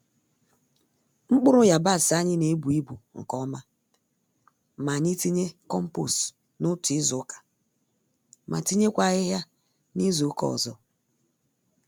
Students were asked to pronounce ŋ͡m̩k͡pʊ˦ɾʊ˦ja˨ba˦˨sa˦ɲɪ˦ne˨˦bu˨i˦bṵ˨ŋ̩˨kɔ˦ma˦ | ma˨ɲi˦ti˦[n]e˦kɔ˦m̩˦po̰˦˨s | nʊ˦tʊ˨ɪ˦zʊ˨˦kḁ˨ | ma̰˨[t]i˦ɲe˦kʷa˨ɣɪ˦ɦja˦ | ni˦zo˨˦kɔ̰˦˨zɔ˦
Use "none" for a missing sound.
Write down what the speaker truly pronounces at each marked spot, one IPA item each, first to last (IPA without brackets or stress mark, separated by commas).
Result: ɲ, t